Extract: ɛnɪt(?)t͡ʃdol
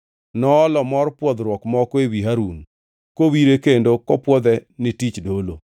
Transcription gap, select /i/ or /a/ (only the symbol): i